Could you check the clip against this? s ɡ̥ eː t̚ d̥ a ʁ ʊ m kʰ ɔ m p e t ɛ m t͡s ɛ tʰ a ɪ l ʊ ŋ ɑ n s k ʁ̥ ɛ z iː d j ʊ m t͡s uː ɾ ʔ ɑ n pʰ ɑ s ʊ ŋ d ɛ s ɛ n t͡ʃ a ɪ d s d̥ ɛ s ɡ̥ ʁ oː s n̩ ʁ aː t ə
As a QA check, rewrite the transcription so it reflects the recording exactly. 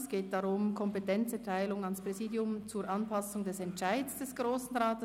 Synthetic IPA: s ɡ̥ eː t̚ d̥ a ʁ ʊ m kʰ ɔ m p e t ɛ n t͡s ɛ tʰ a ɪ l ʊ ŋ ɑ n s p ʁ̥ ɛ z iː d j ʊ m t͡s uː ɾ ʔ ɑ n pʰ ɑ s ʊ ŋ d ɛ s ɛ n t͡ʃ a ɪ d s d̥ ɛ s ɡ̥ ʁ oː s n̩ ʁ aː t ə